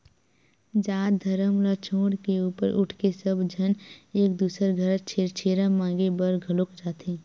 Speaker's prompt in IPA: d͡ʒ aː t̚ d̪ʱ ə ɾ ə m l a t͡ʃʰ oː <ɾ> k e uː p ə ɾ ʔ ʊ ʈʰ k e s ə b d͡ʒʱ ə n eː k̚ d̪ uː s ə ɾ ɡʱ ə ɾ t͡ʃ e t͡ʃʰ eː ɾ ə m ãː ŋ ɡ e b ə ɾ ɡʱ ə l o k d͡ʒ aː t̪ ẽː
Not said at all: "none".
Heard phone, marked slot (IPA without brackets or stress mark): ɽ